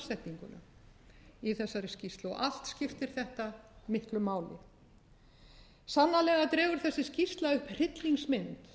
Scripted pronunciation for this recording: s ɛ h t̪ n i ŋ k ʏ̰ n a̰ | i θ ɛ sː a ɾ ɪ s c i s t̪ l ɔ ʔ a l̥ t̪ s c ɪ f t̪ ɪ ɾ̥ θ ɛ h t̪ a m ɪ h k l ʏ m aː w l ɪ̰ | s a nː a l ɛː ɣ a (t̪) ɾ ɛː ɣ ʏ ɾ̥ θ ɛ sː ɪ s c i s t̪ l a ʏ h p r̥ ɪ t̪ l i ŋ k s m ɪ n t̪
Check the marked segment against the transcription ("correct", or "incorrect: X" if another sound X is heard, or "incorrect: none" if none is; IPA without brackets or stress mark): correct